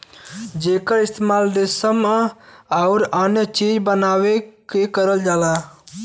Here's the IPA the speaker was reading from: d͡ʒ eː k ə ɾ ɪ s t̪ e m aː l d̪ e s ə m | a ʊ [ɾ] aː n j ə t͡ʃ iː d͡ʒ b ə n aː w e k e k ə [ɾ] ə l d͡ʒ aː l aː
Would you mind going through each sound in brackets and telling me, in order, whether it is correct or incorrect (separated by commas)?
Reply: correct, correct